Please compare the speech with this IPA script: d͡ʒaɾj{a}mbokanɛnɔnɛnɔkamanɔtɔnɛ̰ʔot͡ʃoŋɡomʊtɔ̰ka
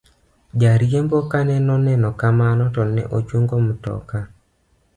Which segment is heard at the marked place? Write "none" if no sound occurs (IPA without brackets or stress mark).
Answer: e